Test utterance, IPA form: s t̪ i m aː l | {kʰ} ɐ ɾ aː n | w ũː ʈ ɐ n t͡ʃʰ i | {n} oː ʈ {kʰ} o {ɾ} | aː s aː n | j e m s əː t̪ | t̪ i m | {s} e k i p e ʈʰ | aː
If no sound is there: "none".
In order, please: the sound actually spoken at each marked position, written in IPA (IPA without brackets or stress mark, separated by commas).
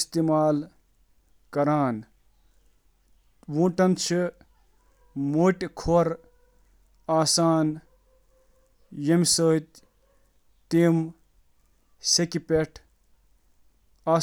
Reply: k, m, kʰ, ɾ, s